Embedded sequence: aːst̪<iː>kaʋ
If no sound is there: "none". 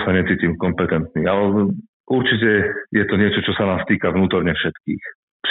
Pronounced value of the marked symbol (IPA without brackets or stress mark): iː